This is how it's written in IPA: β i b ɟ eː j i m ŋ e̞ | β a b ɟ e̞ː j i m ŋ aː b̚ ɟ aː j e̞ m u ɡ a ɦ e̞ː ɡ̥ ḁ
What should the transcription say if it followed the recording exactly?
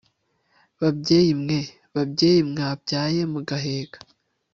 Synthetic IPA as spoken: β a b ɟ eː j i m ŋ e̞ | β a b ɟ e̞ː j i m ŋ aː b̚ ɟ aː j e̞ m u ɡ a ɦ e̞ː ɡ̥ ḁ

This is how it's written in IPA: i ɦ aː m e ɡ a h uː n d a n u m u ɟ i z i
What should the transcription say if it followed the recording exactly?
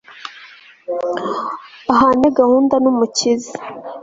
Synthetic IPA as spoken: a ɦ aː n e ɡ a h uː n d a n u m u c i z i

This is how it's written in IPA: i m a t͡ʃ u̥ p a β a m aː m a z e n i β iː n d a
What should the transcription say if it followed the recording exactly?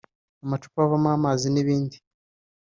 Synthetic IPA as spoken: a m a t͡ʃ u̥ p a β a m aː m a z i n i β iː n d i

